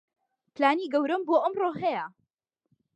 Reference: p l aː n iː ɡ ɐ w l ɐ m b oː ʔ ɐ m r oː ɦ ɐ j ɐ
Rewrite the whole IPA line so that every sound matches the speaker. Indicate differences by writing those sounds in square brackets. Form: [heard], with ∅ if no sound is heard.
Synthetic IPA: p l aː n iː ɡ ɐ w [ɾ] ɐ m b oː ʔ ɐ m r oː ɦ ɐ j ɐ